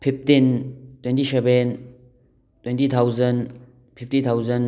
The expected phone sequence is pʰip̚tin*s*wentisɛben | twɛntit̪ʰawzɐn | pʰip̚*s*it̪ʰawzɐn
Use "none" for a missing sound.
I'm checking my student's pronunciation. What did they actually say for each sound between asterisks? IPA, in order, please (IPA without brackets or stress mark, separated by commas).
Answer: t, t